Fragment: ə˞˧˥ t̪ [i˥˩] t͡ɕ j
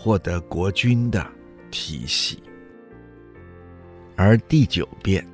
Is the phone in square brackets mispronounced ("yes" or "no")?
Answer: no